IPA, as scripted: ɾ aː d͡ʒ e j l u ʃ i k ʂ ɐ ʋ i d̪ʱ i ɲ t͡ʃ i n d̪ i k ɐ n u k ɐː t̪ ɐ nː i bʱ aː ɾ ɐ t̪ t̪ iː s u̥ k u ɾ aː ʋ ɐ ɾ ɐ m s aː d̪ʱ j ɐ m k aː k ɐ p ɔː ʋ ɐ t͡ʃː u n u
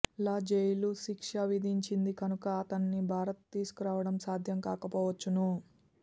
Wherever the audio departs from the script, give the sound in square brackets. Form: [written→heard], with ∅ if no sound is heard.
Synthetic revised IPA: [ɾ→l] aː d͡ʒ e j l u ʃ i k ʂ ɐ ʋ i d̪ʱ i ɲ t͡ʃ i n d̪ i k ɐ n u k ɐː t̪ ɐ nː i bʱ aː ɾ ɐ t̪ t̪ iː s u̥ k u ɾ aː ʋ ɐ [ɾ→ɽ] ɐ m s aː d̪ʱ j ɐ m k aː k ɐ p ɔː ʋ ɐ t͡ʃː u n u